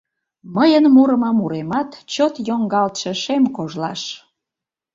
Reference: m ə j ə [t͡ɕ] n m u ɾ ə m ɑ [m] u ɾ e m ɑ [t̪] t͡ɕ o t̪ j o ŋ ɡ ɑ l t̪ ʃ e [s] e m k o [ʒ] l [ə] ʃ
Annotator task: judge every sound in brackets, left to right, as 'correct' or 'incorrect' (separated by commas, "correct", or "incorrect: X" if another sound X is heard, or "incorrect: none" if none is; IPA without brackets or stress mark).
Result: incorrect: none, correct, correct, incorrect: ʃ, correct, incorrect: ɑ